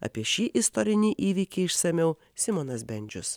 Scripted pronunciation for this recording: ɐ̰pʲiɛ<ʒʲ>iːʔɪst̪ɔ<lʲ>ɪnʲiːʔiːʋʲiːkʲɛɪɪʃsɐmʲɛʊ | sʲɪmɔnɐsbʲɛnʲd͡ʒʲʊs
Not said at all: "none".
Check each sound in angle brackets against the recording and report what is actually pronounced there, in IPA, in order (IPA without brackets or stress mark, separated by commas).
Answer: ʃʲ, ɾʲ